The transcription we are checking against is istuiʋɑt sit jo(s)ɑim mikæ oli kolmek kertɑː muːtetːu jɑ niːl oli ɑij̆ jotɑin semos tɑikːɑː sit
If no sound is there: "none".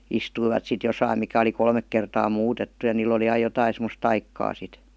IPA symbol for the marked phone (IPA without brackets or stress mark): s